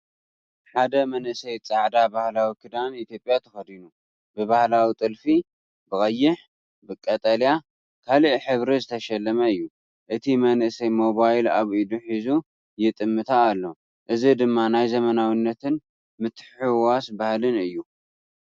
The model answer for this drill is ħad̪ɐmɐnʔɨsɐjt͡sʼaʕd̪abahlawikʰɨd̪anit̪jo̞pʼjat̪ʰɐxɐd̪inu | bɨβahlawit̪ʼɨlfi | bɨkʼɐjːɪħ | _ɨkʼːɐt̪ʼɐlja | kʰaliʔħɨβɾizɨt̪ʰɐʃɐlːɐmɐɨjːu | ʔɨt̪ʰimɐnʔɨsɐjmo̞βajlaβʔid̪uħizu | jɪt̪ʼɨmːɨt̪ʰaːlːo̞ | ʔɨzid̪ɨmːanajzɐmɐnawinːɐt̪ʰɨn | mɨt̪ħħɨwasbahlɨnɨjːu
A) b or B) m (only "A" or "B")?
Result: A